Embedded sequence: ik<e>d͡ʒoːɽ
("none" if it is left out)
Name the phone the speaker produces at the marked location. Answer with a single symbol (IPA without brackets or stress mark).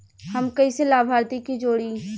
i